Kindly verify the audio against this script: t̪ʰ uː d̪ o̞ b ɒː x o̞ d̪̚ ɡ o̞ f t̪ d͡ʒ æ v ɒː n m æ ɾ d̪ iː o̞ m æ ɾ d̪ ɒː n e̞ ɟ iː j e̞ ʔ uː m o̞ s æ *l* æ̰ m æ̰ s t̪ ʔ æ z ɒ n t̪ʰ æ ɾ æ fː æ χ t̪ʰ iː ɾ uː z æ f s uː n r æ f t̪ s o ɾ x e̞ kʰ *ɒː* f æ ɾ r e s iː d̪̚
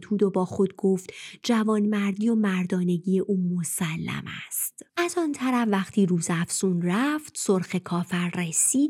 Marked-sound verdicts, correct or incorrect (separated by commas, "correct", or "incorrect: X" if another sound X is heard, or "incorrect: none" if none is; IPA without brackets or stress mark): incorrect: lː, correct